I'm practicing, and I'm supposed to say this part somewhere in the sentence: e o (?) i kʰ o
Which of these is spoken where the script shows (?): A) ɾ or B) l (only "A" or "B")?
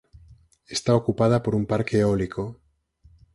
B